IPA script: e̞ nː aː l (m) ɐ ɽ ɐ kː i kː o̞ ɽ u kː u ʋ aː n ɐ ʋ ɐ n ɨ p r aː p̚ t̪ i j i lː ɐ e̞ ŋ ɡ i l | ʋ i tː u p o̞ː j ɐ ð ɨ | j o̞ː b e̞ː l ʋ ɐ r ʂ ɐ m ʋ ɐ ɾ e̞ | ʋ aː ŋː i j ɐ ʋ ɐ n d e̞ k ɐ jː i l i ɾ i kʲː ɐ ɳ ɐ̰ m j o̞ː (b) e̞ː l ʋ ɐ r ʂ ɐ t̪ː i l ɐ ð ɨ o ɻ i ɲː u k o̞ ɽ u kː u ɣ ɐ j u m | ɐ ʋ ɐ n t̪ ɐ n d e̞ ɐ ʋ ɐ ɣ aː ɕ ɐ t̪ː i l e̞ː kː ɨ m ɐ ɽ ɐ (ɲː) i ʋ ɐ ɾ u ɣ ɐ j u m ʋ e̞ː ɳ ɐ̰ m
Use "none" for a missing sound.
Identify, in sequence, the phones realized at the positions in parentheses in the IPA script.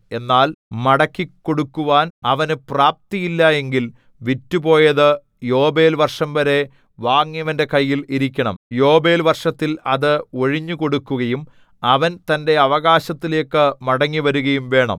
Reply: m, b, ŋː

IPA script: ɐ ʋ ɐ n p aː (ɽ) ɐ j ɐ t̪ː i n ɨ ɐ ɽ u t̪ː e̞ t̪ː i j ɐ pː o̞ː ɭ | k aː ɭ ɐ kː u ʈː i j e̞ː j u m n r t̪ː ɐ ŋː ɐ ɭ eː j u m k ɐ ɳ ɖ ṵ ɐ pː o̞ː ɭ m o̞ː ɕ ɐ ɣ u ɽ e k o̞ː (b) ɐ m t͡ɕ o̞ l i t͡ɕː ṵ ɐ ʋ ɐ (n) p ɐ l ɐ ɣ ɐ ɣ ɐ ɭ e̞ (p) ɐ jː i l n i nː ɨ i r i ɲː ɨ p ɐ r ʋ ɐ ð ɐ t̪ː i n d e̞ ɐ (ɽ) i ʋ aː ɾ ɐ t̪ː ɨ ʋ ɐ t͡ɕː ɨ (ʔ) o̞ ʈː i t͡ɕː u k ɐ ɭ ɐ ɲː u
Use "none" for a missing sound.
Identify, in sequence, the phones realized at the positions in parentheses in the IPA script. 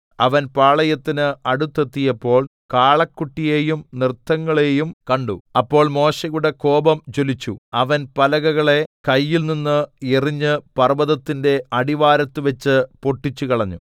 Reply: ɭ, b, n, k, ɽ, p

